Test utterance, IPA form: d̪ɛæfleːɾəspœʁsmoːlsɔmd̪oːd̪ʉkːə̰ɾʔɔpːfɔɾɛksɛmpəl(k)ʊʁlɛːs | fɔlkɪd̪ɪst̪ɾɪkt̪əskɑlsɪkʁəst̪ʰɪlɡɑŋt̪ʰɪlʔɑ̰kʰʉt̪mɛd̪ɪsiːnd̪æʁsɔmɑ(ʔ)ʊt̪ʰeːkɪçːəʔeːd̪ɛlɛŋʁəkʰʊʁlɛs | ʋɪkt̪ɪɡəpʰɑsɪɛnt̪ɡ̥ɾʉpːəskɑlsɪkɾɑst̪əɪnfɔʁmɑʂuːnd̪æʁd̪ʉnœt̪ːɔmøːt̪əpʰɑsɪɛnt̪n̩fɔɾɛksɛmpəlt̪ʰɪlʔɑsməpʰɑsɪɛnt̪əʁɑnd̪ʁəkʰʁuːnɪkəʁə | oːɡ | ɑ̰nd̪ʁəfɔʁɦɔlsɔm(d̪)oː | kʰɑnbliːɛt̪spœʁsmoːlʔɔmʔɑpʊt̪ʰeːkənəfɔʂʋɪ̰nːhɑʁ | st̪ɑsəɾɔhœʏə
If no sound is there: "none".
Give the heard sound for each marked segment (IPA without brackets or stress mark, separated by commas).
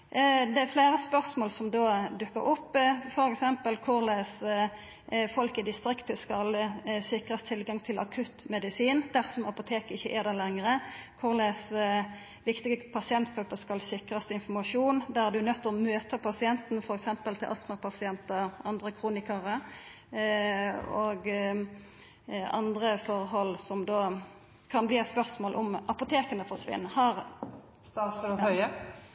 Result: kʰ, p, d̪